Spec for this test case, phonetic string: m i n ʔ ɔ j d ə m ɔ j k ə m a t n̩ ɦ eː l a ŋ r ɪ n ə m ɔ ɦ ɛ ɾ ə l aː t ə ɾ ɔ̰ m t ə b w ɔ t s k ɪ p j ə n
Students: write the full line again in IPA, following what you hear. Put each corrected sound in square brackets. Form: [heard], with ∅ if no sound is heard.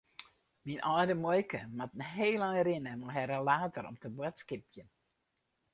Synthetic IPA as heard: m i n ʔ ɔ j d ə m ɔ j k ə m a t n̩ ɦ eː l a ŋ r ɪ n ə m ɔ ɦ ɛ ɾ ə l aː t ə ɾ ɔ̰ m t ə b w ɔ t s k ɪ p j ə n